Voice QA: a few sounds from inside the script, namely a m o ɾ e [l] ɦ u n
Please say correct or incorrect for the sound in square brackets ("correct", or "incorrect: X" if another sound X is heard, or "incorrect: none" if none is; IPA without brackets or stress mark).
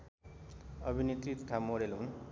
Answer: correct